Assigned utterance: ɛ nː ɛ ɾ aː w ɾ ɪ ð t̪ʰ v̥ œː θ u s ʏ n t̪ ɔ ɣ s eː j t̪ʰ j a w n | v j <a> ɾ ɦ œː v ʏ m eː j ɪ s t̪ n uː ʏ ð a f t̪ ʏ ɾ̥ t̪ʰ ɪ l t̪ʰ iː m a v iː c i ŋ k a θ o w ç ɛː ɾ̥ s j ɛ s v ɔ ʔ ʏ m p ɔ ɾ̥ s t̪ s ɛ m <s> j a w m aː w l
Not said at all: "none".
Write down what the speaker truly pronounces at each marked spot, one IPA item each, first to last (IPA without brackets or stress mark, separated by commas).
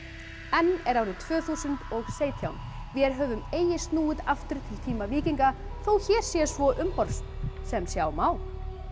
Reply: ɛ, s